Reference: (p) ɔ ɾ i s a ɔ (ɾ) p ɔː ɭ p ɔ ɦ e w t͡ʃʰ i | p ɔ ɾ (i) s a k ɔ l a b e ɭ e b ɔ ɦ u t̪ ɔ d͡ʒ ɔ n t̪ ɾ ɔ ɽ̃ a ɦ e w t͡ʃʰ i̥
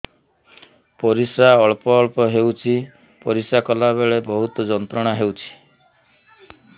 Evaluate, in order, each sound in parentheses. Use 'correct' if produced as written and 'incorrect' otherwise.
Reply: correct, incorrect: ɭ, correct

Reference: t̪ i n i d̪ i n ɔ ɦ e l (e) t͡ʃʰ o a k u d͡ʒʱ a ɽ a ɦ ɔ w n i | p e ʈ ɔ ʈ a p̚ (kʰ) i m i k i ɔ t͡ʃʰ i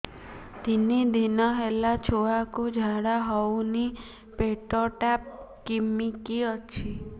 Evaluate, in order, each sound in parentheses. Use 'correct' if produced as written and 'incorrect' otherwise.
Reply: incorrect: a, incorrect: k

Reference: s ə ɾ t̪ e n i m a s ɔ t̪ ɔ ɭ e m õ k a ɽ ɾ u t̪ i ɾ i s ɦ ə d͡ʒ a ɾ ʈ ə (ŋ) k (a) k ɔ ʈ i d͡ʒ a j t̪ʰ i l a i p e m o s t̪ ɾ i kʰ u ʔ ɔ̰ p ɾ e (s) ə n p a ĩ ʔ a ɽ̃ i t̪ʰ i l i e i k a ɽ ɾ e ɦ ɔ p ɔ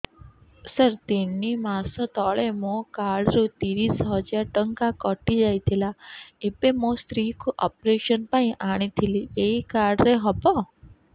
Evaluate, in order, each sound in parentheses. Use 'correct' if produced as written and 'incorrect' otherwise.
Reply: correct, correct, incorrect: ʃ

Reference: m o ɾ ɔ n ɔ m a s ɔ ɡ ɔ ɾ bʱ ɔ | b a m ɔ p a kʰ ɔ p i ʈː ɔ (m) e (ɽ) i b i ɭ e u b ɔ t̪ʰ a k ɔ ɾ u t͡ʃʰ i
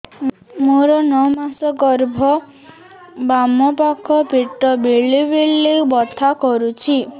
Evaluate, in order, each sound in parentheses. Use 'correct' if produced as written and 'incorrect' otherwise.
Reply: incorrect: b, incorrect: ɭ

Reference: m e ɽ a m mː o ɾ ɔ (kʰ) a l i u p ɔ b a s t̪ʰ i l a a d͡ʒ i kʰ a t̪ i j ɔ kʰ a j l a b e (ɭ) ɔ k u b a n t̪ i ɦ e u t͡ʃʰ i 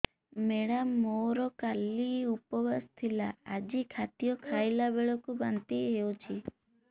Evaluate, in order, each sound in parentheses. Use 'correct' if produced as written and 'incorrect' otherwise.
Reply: incorrect: k, correct

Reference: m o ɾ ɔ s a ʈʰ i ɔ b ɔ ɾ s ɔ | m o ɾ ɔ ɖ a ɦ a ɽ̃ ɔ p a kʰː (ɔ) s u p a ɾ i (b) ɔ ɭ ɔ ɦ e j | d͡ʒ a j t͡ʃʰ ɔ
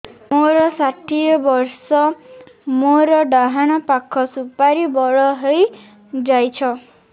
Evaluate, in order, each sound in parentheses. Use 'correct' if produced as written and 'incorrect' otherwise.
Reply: correct, correct

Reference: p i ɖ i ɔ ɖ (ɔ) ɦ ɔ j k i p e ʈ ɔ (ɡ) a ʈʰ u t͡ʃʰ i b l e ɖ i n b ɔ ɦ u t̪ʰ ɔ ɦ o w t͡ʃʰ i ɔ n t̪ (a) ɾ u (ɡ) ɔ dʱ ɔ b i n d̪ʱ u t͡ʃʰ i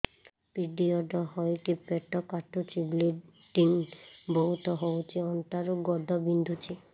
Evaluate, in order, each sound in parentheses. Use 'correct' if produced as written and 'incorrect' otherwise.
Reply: correct, incorrect: k, correct, correct

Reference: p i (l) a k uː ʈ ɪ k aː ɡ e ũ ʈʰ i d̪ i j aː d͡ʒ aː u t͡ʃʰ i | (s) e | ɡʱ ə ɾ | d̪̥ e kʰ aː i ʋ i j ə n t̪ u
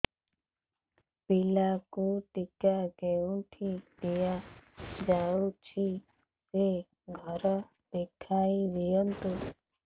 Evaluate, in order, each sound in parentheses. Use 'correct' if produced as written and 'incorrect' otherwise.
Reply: correct, correct

